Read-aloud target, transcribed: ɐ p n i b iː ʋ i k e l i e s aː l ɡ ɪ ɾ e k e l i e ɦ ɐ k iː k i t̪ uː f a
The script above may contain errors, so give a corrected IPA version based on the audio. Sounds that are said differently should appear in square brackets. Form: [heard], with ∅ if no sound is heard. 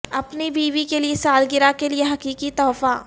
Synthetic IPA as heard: ɐ p n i b iː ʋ i k e l i e s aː l ɡ ɪ ɾ [a] k e l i e ɦ ɐ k iː k i t̪ [ɔː] f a